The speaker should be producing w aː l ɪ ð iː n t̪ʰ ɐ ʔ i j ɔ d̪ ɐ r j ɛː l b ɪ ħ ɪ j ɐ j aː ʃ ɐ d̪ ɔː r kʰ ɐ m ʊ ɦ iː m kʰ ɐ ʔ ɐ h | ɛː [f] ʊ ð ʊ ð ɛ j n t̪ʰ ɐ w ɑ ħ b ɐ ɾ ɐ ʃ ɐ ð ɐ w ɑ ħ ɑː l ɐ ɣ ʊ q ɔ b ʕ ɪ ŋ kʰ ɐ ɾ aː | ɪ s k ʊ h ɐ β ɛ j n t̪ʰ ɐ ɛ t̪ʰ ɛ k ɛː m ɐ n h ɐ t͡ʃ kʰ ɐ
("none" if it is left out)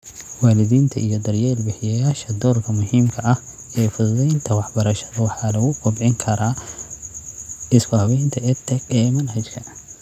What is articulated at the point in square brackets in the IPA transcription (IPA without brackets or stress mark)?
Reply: f